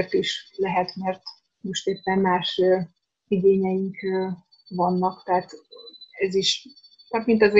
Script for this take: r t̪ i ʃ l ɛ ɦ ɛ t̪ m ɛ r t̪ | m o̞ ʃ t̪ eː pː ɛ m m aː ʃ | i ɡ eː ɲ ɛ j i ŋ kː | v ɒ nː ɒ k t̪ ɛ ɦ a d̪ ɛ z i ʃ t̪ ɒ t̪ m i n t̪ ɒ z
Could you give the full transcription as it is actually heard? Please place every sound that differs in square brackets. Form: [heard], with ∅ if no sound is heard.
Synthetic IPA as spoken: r t̪ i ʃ l ɛ ɦ ɛ t̪ m ɛ r t̪ | m o̞ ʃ t̪ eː pː ɛ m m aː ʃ | i ɡ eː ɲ ɛ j i ŋ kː | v ɒ nː ɒ k t̪ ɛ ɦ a [t̪] ɛ z i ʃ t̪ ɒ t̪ m i n t̪ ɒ z